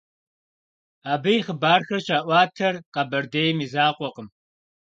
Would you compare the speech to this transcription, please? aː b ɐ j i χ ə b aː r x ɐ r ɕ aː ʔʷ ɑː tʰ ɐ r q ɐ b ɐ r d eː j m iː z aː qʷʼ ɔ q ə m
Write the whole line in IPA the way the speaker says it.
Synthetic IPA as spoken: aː b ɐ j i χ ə b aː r x ɐ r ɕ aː ʔʷ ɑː tʰ ɐ r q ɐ b ɐ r d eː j m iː z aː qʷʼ ɔ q ə m